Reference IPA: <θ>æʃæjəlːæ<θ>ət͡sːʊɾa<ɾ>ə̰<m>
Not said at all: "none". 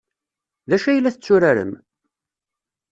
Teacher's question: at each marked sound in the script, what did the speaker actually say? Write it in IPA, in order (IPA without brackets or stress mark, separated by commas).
ð, θ, ɾ, m